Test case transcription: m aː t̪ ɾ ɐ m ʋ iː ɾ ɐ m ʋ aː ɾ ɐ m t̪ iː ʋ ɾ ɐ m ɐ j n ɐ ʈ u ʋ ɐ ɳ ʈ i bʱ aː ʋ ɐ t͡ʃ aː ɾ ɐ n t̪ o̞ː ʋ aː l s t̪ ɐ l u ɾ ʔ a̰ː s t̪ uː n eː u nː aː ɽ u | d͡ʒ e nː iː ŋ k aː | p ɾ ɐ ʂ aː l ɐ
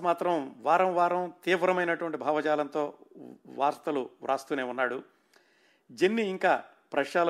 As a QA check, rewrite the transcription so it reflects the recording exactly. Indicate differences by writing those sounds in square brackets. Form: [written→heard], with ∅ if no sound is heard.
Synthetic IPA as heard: m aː t̪ ɾ ɐ m ʋ [iː→aː] ɾ ɐ m ʋ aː ɾ ɐ m t̪ iː ʋ ɾ ɐ m ɐ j n ɐ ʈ u ʋ ɐ ɳ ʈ i bʱ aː ʋ ɐ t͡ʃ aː [ɾ→l] ɐ n t̪ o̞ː ʋ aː [l→ɾ] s t̪ ɐ l u ɾ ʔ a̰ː s t̪ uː n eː u nː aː ɽ u | d͡ʒ e nː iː ŋ k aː | p ɾ ɐ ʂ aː l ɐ